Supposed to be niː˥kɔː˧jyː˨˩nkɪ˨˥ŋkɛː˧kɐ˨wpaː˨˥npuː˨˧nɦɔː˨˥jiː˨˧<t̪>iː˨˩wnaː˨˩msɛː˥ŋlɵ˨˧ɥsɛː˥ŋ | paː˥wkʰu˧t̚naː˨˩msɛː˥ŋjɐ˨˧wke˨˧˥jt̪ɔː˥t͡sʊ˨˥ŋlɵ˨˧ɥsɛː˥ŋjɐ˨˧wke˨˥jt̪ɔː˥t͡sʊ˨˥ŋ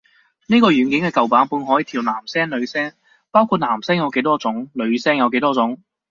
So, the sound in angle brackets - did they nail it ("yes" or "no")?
no